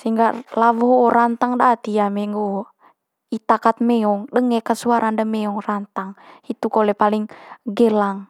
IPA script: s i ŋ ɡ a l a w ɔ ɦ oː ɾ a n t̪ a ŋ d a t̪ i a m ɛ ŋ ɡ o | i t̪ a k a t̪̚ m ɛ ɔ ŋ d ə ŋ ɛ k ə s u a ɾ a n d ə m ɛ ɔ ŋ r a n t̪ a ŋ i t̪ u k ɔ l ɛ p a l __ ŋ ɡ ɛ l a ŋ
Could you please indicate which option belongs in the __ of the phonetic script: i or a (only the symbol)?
i